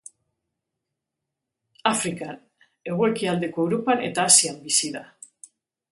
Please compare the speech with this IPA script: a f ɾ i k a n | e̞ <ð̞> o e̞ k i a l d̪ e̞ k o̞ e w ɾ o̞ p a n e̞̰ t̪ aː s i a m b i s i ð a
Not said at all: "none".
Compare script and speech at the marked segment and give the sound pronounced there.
ɣ̞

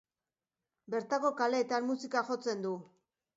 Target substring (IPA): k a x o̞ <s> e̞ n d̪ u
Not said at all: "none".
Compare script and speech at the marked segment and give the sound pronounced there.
t͡s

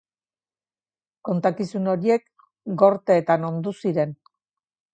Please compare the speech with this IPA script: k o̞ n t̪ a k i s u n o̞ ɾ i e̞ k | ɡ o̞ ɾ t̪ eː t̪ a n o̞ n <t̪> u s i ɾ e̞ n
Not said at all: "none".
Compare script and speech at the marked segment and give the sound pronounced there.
d̪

